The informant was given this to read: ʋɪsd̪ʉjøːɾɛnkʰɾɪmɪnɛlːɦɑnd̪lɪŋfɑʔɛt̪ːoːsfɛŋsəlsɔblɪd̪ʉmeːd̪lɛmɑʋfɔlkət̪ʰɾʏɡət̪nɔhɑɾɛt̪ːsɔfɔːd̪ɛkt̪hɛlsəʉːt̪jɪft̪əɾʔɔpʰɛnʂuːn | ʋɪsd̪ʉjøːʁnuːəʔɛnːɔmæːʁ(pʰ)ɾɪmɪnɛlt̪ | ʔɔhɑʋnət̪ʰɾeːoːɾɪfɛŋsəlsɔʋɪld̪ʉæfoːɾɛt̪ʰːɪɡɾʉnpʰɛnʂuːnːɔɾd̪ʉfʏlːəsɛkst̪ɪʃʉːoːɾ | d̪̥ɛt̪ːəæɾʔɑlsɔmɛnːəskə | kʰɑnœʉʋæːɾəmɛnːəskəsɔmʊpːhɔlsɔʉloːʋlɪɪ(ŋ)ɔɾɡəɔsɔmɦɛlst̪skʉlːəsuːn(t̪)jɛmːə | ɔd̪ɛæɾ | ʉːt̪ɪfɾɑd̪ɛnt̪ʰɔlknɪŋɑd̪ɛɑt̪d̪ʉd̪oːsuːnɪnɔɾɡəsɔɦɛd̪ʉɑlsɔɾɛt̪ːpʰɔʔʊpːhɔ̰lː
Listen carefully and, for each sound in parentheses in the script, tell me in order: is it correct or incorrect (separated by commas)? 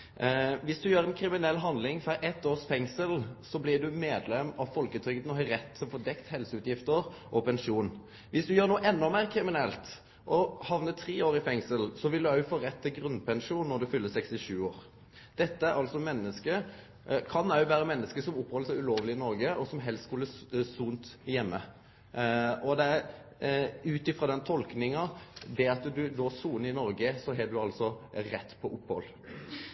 incorrect, incorrect, correct